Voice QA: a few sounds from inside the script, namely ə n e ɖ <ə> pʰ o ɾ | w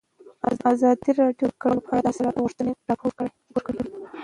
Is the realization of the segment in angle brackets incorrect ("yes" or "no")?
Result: yes